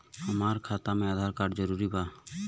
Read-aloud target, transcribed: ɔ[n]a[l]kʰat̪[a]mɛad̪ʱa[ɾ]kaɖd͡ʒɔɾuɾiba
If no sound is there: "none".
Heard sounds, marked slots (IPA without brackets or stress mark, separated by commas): m, ɾ, a, ɾ